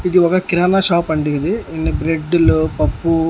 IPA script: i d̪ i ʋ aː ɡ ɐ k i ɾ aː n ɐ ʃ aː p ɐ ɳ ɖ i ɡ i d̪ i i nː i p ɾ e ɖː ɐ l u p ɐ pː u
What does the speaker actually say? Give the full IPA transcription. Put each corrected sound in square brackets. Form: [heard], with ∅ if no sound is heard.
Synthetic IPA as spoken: i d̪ i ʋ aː ɡ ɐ k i ɾ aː n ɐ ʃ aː p ɐ ɳ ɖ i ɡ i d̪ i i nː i [b] ɾ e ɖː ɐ l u p ɐ pː u